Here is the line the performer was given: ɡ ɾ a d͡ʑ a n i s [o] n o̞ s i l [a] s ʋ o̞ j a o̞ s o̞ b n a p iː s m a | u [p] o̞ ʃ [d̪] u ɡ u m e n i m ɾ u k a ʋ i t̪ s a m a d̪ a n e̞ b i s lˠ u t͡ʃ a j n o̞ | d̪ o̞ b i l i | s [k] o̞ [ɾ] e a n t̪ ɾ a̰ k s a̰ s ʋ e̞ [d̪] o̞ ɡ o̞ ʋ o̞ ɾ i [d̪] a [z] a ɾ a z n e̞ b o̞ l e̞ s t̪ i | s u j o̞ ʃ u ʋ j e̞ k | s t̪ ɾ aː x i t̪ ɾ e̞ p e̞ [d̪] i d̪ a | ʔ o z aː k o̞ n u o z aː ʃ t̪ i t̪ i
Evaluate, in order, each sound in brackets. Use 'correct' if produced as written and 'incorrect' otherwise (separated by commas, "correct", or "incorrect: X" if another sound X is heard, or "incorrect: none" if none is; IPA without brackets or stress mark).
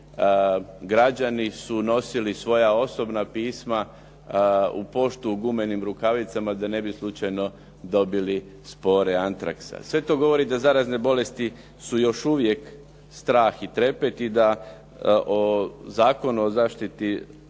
incorrect: u, incorrect: i, correct, incorrect: t̪, incorrect: p, correct, incorrect: t̪, correct, correct, incorrect: t̪